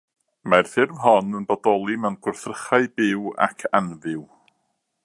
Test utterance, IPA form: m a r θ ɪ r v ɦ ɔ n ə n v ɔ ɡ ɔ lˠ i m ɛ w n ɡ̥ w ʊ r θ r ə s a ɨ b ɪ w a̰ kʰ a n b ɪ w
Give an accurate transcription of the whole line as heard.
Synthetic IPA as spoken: m a r θ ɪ r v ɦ ɔ n ə n b ɔ d ɔ lˠ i m ɛ w n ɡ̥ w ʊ r θ r ə χ a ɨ b ɪ w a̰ kʰ a n v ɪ w